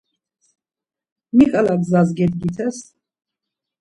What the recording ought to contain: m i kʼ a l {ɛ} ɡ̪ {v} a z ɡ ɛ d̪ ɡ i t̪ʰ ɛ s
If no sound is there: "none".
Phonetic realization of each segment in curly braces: a, z

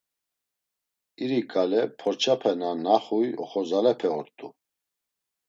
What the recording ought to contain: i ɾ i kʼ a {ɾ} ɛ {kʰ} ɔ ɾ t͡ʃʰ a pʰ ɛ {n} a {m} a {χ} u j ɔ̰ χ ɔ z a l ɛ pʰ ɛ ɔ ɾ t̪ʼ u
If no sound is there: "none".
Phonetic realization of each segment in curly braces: l, pʰ, n, n, χ

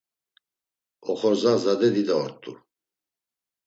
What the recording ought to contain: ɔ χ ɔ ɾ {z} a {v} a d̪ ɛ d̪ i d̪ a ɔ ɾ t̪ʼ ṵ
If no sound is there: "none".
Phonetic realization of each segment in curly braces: z, z

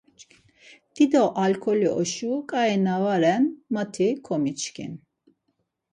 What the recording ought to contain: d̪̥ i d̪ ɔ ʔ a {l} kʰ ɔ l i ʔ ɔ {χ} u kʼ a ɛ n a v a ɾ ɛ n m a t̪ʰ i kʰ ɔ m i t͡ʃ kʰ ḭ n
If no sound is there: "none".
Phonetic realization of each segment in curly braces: l, ʃ

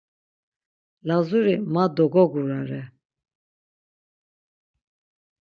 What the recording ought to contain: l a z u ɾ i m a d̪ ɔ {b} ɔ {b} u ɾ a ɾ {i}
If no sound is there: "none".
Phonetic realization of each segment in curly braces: ɡ, ɡ, ɛ

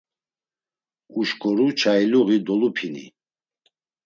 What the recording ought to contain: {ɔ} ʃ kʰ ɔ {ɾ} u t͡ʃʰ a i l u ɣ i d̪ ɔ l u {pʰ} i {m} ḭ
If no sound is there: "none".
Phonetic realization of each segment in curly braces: u, ɾ, pʰ, n

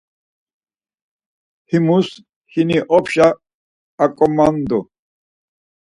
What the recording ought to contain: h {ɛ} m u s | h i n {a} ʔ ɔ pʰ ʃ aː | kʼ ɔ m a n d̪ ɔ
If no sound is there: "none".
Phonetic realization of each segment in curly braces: i, i

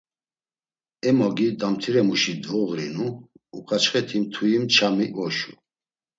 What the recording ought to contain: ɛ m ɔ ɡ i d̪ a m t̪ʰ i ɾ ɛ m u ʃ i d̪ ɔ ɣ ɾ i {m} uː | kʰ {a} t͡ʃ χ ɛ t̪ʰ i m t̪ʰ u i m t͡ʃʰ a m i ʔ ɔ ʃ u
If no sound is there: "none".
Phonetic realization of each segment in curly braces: n, a

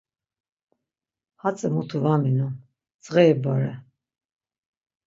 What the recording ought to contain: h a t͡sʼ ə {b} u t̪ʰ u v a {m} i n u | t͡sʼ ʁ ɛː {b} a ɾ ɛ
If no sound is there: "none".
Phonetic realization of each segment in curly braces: m, m, b

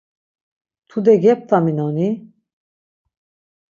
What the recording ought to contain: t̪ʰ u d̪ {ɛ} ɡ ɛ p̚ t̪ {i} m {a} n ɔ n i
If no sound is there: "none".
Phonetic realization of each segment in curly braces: ɛ, a, i

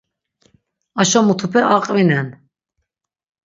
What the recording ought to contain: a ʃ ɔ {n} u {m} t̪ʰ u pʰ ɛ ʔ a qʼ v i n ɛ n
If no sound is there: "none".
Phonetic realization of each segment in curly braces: m, none

